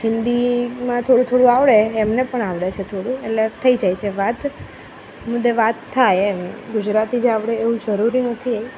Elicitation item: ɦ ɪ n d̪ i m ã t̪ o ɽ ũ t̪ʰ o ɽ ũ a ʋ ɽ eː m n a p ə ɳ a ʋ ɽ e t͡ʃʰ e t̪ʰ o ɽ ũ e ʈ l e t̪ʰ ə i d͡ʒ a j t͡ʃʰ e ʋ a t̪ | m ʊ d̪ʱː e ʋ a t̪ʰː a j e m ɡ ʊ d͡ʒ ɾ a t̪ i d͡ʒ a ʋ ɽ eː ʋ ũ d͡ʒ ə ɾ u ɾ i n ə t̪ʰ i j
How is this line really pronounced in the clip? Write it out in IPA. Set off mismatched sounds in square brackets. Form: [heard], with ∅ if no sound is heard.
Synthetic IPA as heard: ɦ ɪ n d̪ i m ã [t̪ʰ] o ɽ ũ t̪ʰ o ɽ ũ a ʋ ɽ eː m n [e] p ə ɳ a ʋ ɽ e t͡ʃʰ e t̪ʰ o ɽ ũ e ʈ l e t̪ʰ ə i d͡ʒ a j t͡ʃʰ e ʋ a t̪ | m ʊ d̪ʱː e ʋ a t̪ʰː a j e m ɡ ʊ d͡ʒ ɾ a t̪ i d͡ʒ a ʋ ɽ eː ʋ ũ d͡ʒ ə ɾ u ɾ i n ə t̪ʰ i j

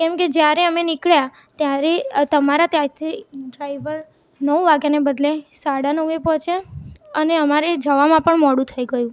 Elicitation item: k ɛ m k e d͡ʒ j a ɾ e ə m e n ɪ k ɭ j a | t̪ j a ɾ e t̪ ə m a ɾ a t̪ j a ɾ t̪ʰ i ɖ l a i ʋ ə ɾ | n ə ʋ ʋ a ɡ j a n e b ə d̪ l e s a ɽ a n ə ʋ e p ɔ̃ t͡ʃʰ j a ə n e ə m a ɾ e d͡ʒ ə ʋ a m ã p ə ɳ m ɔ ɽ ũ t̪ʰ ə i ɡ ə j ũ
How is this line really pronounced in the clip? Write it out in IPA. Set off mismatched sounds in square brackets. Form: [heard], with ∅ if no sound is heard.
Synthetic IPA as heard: k ɛ m k e d͡ʒ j a ɾ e ə m e n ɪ k ɭ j a | t̪ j a ɾ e t̪ ə m a ɾ a t̪ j a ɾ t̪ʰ i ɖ [ɾ] a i ʋ ə ɾ | n ə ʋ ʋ a ɡ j a n e b ə d̪ l e s a ɽ a n ə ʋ e p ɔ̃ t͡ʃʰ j a ə n e ə m a ɾ e d͡ʒ ə ʋ a m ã p ə ɳ m ɔ ɽ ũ t̪ʰ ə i ɡ ə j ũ

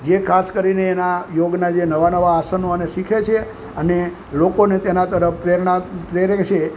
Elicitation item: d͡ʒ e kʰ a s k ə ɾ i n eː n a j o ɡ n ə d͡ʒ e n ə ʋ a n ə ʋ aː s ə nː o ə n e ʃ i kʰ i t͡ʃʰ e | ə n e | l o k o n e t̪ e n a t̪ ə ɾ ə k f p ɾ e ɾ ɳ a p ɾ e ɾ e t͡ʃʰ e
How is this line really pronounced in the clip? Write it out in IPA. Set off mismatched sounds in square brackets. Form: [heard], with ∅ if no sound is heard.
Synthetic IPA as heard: d͡ʒ e kʰ a s k ə ɾ i n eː n a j o ɡ n [a] d͡ʒ e n ə ʋ a n ə ʋ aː s ə [n] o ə n e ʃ i kʰ [e] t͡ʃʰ e | ə n e | l o k o n e t̪ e n a t̪ ə ɾ ə [∅] f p ɾ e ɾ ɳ a p ɾ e ɾ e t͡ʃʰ e

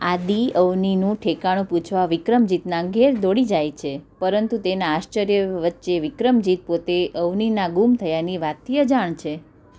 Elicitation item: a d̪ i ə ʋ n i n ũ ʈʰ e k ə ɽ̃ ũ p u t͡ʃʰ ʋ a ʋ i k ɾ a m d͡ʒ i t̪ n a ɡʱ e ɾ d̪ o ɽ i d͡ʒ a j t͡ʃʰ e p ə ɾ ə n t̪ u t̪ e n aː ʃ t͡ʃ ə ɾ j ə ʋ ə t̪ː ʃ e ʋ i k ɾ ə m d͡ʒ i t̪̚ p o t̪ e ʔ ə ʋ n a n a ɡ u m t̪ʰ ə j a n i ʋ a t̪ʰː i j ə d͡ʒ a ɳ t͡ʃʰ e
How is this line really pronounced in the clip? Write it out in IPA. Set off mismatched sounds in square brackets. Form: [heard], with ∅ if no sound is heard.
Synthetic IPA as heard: a d̪ i ə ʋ n i n ũ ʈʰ e k [a] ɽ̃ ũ p u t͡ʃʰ ʋ a ʋ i k ɾ [ə] m d͡ʒ i t̪ n a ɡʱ e ɾ d̪ o ɽ i d͡ʒ a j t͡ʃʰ e p ə ɾ ə n t̪ u t̪ e n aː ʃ t͡ʃ ə ɾ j ə ʋ ə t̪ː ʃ e ʋ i k ɾ ə m d͡ʒ i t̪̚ p o t̪ e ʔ ə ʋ n [i] n a ɡ u m t̪ʰ ə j a n i ʋ a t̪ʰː i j ə d͡ʒ a ɳ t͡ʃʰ e

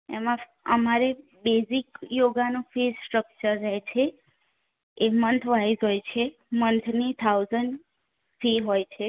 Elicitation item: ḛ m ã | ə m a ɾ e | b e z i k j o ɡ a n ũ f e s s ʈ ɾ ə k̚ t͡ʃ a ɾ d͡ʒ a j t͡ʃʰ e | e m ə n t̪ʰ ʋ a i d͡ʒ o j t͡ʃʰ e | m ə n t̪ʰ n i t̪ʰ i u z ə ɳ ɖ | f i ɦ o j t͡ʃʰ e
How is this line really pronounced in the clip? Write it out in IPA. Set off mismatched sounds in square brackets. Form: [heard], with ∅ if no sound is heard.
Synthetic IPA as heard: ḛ m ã | ə m a ɾ e | b e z i k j o ɡ a n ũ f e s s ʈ ɾ ə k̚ t͡ʃ [ə] ɾ d͡ʒ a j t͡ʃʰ e | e m ə n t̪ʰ ʋ a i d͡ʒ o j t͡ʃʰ e | m ə n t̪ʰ n i t̪ʰ [a] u z ə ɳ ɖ | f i ɦ o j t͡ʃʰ e

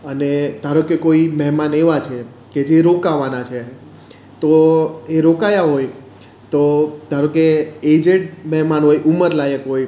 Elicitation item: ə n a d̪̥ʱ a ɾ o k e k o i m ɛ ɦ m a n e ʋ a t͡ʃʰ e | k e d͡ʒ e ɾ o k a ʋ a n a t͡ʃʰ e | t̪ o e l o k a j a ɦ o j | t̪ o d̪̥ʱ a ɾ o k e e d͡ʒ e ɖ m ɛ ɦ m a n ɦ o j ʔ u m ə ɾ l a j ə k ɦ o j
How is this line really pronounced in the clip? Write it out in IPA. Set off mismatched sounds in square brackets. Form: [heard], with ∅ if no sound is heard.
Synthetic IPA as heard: ə n [e] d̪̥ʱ a ɾ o k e k o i m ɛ ɦ m a n e ʋ a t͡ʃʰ e | k e d͡ʒ e ɾ o k a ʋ a n a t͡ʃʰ e | t̪ o e [ɾ] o k a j a ɦ o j | t̪ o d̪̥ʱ a ɾ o k e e d͡ʒ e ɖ m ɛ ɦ m a n ɦ o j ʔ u m ə ɾ l a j ə k ɦ o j

